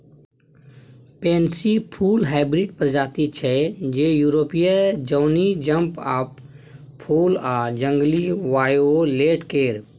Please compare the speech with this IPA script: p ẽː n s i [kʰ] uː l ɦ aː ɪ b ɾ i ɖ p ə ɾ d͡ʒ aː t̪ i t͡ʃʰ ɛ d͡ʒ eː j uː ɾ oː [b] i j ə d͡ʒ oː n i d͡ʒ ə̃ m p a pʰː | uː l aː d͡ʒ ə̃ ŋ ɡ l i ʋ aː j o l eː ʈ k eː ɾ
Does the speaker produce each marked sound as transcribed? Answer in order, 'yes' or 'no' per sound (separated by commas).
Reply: no, no